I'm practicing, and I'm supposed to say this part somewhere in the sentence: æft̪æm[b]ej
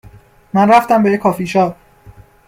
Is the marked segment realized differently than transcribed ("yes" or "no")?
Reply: no